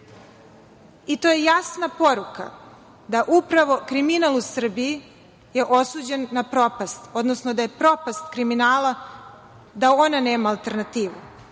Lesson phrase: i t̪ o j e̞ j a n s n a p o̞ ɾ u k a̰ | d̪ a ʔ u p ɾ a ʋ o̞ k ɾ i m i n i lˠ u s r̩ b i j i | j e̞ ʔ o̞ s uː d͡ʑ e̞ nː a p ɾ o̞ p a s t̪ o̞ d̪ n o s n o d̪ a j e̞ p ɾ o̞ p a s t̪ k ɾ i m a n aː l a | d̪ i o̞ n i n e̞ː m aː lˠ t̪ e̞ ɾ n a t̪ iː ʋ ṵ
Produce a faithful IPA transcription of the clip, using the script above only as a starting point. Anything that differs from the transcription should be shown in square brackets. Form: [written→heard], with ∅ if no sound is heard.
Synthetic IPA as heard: i t̪ o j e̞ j a [n→∅] s n a p o̞ ɾ u k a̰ | d̪ a ʔ u p ɾ a ʋ o̞ k ɾ i m i n [i→a] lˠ u s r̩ b i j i | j e̞ ʔ o̞ s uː d͡ʑ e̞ nː a p ɾ o̞ p a s t̪ o̞ d̪ n o s n o d̪ a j e̞ p ɾ o̞ p a s t̪ k ɾ i m [a→i] n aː l a | d̪ [i→a] o̞ n [i→a] n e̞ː m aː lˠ t̪ e̞ ɾ n a t̪ iː ʋ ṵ